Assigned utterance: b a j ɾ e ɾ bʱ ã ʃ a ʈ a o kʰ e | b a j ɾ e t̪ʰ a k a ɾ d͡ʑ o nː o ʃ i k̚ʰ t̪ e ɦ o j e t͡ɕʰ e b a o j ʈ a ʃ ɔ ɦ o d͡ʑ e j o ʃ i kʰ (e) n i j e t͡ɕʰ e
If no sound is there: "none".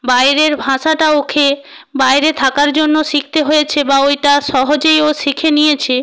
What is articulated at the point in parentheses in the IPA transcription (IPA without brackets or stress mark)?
e